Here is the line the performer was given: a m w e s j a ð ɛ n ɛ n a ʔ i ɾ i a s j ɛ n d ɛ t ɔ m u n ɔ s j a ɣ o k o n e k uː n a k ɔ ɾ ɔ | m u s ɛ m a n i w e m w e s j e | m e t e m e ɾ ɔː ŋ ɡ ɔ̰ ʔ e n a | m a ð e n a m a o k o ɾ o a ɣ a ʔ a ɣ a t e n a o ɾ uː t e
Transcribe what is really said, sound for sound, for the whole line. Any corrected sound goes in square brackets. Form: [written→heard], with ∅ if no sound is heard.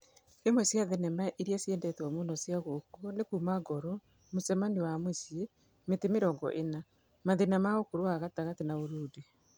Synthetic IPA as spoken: [a→e] m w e s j a ð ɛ n ɛ [n→m] a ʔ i ɾ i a s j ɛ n d ɛ t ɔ m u n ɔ s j a ɣ o k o n e k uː [n→m] a [k→ɡ] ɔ ɾ ɔ | m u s ɛ m a n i w [e→a] m w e s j e | m e t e m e ɾ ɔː ŋ ɡ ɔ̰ ʔ e n a | m a ð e n a m a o k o ɾ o a ɣ a [ʔ→t] a ɣ a t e n a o ɾ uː [t→d] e